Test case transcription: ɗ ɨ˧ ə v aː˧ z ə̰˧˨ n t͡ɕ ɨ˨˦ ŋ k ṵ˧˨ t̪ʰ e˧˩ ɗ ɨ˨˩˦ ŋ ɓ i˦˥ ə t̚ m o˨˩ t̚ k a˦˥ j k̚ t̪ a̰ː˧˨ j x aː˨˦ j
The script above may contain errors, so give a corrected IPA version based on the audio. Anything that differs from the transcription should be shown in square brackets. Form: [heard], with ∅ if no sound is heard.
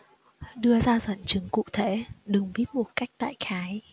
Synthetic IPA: ɗ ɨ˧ ə [z] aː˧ z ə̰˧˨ n t͡ɕ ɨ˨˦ ŋ k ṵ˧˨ t̪ʰ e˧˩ ɗ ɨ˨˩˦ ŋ ɓ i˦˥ ə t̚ m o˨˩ t̚ k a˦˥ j k̚ t̪ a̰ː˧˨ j x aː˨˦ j